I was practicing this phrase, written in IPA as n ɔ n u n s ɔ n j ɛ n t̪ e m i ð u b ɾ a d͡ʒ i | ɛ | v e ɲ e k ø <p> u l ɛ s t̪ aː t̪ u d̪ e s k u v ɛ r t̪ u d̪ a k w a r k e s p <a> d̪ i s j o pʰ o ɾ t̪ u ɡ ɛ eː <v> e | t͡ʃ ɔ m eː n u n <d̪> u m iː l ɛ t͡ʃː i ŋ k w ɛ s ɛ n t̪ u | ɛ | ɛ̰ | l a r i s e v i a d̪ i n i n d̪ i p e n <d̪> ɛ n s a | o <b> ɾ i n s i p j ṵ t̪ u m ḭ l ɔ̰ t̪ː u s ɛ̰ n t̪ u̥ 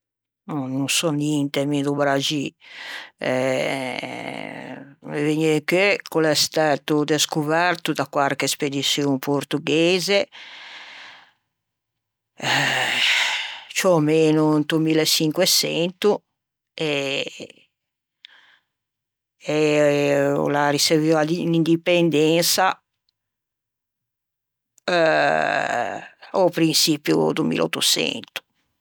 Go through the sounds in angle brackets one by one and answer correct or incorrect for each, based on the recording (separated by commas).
incorrect, incorrect, incorrect, incorrect, correct, incorrect